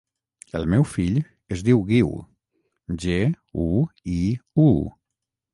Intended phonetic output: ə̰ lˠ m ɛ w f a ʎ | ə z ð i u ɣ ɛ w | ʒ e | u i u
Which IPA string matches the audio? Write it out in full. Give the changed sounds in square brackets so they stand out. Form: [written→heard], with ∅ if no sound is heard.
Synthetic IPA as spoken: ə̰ lˠ m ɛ w f [a→i] ʎ | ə z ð i [u→w] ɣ [ɛ→i] w | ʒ e | u i u